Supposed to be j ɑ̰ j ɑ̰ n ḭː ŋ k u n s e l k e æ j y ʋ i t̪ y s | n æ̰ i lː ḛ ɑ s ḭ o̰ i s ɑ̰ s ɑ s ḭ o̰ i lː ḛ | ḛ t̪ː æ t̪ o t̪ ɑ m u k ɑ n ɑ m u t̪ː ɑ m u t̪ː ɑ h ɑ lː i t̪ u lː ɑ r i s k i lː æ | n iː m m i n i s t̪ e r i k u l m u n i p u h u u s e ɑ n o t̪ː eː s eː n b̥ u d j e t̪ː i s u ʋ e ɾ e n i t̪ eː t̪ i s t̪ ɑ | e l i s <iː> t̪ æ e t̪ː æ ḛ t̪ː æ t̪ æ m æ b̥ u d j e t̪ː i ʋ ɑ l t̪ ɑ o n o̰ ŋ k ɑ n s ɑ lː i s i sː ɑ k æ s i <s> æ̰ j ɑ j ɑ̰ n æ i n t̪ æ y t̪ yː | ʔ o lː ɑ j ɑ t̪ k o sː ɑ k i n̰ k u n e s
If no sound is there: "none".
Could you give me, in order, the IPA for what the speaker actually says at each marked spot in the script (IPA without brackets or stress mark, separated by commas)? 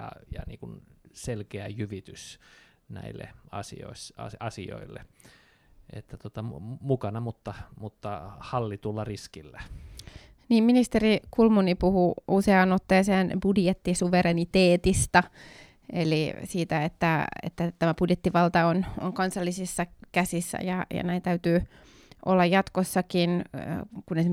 iː, sː